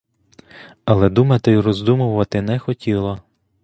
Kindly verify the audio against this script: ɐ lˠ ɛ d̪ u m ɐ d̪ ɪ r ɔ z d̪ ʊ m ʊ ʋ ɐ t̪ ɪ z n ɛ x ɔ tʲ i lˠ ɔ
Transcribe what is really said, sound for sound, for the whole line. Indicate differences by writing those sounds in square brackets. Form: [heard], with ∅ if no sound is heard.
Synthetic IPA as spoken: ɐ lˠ ɛ d̪ u m ɐ [t̪] ɪ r ɔ z d̪ [u] m ʊ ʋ ɐ t̪ ɪ [∅] n ɛ x ɔ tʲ i lˠ ɔ

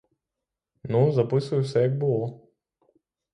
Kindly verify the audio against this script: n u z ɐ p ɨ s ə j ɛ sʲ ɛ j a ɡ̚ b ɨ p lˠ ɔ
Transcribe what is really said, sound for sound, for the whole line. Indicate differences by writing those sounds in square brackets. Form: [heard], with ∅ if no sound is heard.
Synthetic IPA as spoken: n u z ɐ p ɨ s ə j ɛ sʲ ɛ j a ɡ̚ b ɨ [∅] lˠ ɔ

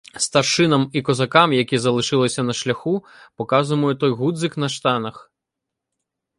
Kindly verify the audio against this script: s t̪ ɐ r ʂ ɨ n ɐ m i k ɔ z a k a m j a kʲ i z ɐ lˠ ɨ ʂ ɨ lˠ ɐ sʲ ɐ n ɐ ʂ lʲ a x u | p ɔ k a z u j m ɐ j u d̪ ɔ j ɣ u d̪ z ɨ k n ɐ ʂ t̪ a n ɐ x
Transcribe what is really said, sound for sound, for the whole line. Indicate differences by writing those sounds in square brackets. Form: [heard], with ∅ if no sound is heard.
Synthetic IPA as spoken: s t̪ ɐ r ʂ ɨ n ɐ m i k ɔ z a k a m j a kʲ i z ɐ lˠ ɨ ʂ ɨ lˠ ɐ sʲ ɐ n ɐ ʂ lʲ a x u | p ɔ k a z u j m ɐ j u [t̪] ɔ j ɣ u d̪ z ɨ k n ɐ ʂ t̪ a n ɐ x

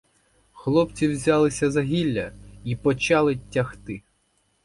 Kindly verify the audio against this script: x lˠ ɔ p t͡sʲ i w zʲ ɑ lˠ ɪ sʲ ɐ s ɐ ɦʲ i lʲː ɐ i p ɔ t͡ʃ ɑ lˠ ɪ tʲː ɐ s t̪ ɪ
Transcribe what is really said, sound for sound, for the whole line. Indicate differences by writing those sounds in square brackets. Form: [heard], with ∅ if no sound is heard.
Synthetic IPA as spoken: x lˠ ɔ p t͡sʲ i w zʲ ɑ lˠ ɪ sʲ ɐ [z] ɐ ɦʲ i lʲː ɐ i p ɔ t͡ʃ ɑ lˠ ɪ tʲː ɐ [x] t̪ ɪ

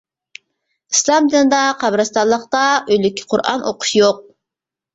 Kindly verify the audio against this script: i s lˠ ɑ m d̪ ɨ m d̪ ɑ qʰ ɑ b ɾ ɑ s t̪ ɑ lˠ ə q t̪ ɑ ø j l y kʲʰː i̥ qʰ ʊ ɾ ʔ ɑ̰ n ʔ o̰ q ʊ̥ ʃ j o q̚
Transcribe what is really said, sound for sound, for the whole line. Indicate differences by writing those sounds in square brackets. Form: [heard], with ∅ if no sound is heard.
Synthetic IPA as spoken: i s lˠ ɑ m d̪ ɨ [n] d̪ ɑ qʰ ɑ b ɾ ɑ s t̪ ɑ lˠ ə q t̪ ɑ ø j l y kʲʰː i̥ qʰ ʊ ɾ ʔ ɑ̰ n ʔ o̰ q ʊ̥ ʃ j o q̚

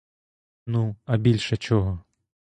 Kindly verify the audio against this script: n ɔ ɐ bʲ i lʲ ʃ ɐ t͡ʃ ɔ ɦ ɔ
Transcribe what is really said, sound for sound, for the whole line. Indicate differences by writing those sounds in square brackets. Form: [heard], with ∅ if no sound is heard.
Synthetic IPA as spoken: n [u] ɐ bʲ i lʲ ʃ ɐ t͡ʃ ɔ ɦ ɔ

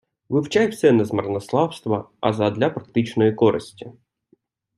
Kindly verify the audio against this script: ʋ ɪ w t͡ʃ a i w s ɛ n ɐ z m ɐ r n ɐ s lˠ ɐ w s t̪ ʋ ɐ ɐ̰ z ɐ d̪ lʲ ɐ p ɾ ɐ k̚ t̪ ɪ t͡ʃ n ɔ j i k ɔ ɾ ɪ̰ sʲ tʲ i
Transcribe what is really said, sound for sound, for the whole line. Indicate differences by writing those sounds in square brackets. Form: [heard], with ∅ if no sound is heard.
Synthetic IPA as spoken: ʋ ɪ w t͡ʃ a [j] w s ɛ n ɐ z m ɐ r n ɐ s lˠ [ɑ] w s t̪ ʋ ɐ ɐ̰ z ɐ d̪ lʲ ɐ p ɾ ɐ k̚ t̪ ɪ t͡ʃ n ɔ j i k ɔ ɾ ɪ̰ sʲ tʲ i

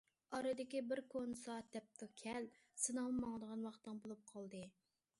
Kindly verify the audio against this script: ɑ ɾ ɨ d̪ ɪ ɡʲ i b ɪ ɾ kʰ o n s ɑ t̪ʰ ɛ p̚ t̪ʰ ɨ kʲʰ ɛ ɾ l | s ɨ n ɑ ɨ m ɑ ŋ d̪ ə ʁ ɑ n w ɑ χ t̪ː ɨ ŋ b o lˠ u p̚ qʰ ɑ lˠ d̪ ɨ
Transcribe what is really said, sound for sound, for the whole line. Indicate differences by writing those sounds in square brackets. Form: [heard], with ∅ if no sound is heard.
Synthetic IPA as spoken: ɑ ɾ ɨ d̪ ɪ [kʲ] i b ɪ ɾ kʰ o n s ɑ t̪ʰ ɛ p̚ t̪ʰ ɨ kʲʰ ɛ [∅] l | s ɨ n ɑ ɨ m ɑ ŋ d̪ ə ʁ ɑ n w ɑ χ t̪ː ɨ ŋ b o lˠ u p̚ qʰ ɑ lˠ d̪ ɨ

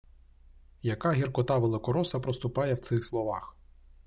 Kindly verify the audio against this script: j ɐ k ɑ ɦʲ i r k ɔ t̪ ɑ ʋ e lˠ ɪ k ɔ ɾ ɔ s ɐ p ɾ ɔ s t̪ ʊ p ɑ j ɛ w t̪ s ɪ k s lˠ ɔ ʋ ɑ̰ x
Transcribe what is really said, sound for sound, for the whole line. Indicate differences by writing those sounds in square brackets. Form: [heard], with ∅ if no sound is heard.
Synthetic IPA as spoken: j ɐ k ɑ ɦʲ i r k ɔ t̪ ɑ ʋ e lˠ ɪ k ɔ ɾ ɔ s ɐ p ɾ ɔ s t̪ ʊ p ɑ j ɛ w t̪ s ɪ [x] s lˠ ɔ ʋ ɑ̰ x

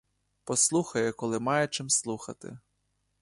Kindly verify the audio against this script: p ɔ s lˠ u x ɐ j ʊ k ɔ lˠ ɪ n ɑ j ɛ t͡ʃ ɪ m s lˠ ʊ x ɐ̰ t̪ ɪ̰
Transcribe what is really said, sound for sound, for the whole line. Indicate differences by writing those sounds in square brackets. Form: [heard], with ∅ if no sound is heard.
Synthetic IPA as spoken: p ɔ s lˠ u x ɐ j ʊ k ɔ lˠ ɪ [m] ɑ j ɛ t͡ʃ ɪ m s lˠ [u] x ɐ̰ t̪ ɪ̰

